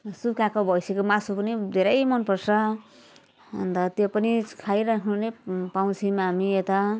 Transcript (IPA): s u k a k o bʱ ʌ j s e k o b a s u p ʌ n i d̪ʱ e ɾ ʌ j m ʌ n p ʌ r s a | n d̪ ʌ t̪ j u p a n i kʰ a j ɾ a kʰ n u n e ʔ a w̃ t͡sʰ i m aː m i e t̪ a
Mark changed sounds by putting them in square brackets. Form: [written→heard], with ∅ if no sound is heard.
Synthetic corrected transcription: s u k a k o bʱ ʌ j s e k o [b→m] a s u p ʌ n i d̪ʱ e ɾ ʌ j m ʌ n p ʌ r s [a→ʌ] | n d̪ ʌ t̪ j [u→o] p [a→ʌ] n i kʰ a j ɾ a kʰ n u n e [ʔ→p] a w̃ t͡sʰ i m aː m i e t̪ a